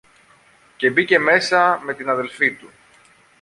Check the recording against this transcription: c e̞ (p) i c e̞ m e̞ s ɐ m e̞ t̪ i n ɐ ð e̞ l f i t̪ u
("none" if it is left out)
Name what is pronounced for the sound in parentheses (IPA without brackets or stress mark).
b